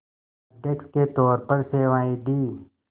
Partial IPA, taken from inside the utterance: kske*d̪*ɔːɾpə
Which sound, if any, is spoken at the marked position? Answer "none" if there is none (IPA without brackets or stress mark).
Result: t̪